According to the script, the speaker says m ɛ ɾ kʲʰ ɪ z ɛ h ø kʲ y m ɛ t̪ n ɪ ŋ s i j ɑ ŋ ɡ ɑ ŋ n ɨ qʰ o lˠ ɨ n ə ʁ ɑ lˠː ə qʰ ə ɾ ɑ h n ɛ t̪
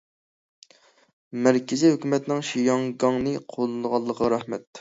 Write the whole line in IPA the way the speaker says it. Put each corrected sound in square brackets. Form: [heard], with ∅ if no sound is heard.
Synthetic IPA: m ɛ ɾ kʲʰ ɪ z [i] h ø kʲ y m ɛ t̪ n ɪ ŋ [ʃ] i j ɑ ŋ ɡ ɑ ŋ n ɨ qʰ o lˠ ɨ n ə ʁ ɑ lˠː ə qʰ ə ɾ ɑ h [m] ɛ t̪